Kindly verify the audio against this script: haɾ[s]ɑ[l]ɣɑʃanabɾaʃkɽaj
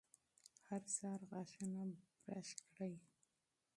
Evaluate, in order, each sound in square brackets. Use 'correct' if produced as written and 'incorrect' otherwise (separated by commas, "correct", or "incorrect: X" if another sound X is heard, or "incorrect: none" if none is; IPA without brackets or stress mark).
correct, incorrect: ɾ